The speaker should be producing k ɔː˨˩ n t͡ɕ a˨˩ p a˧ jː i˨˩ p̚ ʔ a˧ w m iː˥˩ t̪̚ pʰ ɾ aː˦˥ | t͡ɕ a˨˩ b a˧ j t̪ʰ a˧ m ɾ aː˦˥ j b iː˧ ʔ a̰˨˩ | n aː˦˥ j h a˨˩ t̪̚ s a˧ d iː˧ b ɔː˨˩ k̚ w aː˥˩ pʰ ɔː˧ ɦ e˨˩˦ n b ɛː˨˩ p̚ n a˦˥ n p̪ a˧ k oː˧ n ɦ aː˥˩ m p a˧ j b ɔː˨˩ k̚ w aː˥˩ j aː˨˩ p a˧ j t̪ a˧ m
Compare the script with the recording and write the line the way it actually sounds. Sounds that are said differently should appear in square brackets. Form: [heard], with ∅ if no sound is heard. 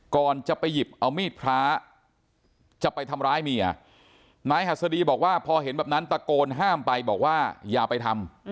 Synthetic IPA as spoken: k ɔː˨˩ n t͡ɕ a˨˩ p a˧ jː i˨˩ p̚ ʔ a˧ w m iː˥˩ t̪̚ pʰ ɾ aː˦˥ | t͡ɕ a˨˩ [p] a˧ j t̪ʰ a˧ m ɾ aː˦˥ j [m] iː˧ ʔ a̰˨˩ | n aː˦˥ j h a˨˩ t̪̚ s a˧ d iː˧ b ɔː˨˩ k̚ w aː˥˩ pʰ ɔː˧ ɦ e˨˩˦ n b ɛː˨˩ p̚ n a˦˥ n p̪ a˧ k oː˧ n ɦ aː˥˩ m p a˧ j b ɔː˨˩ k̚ w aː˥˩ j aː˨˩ p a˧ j [t̪ʰ] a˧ m